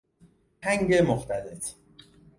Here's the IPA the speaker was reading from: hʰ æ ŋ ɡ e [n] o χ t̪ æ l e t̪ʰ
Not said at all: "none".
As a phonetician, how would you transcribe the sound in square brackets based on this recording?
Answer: m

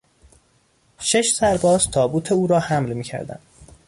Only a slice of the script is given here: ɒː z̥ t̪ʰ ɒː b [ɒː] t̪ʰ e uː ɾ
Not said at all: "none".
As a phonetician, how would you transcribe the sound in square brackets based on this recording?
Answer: uː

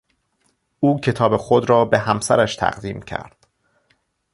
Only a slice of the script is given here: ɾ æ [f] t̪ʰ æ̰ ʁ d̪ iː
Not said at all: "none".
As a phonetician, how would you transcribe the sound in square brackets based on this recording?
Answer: ʃ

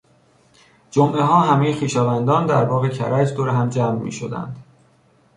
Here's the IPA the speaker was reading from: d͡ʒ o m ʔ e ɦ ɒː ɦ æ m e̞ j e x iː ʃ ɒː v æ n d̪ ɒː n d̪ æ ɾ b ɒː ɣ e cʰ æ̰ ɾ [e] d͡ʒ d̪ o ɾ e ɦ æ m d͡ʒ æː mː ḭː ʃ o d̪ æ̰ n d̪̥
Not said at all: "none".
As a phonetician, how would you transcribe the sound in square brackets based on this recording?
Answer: æ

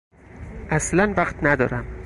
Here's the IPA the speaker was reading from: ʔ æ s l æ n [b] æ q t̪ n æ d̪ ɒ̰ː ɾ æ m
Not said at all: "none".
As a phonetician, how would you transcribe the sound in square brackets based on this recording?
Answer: v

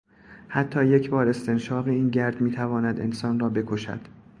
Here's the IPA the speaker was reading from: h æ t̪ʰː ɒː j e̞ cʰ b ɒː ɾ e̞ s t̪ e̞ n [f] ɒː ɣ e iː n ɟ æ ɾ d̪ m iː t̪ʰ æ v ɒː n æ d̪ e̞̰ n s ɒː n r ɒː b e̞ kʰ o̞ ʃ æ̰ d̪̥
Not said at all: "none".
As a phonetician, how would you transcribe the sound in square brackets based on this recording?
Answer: ʃ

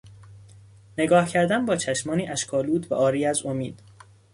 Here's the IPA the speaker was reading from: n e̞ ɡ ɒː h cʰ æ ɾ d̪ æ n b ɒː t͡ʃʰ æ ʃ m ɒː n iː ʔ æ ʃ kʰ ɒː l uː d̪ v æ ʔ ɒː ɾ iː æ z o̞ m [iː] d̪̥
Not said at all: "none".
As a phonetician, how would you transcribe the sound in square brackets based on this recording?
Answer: iː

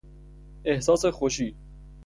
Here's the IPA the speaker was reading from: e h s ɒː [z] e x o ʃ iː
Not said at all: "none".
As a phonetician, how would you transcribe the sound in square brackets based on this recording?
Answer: s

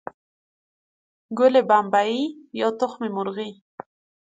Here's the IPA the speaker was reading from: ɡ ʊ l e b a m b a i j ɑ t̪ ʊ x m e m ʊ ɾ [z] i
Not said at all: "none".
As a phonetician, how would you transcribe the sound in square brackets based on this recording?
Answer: ɣ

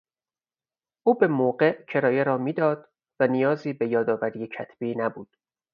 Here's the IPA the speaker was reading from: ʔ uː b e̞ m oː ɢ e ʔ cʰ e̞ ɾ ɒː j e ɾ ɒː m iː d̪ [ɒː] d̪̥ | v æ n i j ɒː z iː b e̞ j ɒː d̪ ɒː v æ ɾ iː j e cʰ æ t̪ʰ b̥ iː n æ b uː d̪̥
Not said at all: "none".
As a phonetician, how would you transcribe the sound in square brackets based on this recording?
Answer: ɒː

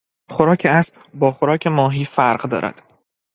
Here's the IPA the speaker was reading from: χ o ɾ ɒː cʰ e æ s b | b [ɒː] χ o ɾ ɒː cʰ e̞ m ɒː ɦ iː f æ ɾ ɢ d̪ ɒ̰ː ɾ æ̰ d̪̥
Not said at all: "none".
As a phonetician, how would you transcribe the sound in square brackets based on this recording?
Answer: ɒː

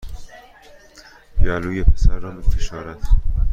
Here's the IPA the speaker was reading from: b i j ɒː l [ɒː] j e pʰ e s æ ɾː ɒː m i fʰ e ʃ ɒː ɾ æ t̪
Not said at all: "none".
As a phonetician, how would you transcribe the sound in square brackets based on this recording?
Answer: uː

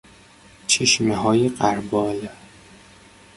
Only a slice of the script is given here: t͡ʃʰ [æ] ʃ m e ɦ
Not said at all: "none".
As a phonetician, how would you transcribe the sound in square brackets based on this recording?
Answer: e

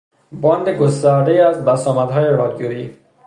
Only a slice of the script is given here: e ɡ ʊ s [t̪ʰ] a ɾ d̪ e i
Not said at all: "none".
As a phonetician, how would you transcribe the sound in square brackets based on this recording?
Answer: t̪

